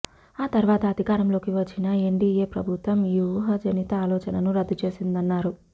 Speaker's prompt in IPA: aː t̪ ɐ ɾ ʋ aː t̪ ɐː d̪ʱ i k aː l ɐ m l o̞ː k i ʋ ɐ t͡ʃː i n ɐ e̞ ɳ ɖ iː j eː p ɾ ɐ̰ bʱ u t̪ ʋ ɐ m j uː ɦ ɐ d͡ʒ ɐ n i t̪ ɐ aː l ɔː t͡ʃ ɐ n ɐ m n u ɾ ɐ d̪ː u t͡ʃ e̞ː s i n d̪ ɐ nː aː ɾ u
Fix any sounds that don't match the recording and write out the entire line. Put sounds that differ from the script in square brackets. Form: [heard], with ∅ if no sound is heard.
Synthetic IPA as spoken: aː t̪ ɐ ɾ ʋ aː t̪ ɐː d̪ʱ i k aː [ɾ] ɐ m l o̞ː k i ʋ ɐ t͡ʃː i n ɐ e̞ ɳ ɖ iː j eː p ɾ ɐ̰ bʱ u t̪ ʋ ɐ m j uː ɦ ɐ d͡ʒ ɐ n i t̪ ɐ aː l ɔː t͡ʃ ɐ n ɐ [∅] n u ɾ ɐ d̪ː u t͡ʃ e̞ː s i n d̪ ɐ nː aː ɾ u